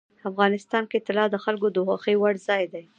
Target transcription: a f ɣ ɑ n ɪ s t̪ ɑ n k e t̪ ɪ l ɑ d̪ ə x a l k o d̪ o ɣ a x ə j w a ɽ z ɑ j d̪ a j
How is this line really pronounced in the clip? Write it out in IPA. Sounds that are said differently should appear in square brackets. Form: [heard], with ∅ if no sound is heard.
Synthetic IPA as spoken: a f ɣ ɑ n ɪ s t̪ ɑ n k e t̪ ɪ l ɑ d̪ ə x a l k o d̪ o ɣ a x ə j w a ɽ z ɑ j d̪ a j